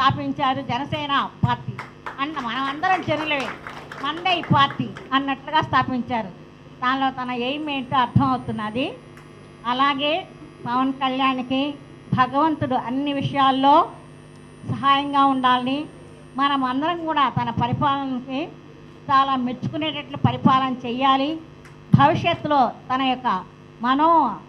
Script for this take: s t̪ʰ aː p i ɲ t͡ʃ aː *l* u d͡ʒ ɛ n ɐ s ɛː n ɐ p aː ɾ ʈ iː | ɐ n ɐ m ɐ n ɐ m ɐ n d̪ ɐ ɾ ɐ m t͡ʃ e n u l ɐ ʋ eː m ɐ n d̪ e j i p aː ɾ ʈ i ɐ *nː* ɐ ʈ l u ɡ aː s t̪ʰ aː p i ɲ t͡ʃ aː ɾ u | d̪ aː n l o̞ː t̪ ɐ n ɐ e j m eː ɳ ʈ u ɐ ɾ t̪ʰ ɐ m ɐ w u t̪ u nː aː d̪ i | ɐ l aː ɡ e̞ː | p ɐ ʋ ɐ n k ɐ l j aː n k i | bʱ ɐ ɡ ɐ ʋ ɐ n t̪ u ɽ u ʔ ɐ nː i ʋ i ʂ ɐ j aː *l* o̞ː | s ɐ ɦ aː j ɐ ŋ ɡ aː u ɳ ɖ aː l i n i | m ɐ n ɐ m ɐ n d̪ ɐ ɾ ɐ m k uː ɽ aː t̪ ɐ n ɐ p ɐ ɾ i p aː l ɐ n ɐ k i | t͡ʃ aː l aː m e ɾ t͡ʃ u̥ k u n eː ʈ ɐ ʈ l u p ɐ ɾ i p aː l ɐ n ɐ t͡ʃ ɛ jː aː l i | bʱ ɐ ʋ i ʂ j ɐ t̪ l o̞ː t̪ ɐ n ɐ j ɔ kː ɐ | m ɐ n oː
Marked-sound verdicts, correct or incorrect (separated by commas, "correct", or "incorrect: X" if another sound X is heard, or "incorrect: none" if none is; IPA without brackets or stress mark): incorrect: ɾ, correct, incorrect: lː